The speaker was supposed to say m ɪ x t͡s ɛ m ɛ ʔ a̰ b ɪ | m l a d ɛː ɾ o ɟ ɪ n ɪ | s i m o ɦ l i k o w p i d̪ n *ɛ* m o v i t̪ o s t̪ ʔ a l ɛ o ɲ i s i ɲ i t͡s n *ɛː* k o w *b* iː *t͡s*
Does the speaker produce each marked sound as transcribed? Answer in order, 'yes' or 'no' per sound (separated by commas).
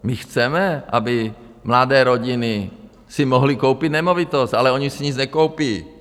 yes, no, no, no